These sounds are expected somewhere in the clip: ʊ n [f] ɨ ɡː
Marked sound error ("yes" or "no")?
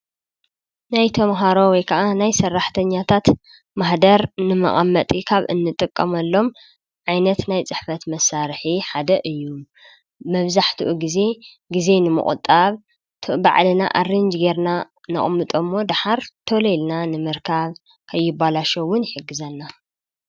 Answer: yes